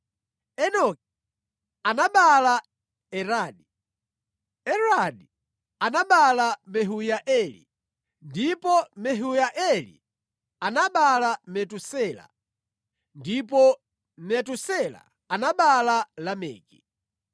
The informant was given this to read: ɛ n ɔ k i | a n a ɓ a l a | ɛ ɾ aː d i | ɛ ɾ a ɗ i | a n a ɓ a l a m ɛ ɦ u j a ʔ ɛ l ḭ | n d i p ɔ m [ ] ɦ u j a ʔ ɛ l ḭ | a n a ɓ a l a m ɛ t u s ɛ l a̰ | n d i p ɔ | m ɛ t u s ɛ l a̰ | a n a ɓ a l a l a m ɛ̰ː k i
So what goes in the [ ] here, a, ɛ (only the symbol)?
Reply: ɛ